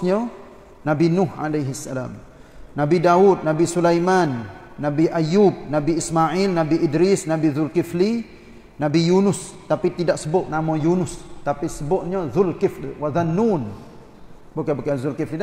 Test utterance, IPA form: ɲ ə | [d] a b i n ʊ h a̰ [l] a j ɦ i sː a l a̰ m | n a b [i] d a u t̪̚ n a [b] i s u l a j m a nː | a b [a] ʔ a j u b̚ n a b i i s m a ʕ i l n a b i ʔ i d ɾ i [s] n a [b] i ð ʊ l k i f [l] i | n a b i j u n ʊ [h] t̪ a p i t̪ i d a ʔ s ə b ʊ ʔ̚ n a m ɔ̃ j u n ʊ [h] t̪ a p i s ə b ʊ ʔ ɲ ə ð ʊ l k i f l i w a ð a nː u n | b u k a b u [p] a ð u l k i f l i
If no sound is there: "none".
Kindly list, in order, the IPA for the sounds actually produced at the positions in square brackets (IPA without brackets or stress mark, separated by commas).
n, l, i, b, i, s, b, l, s, s, k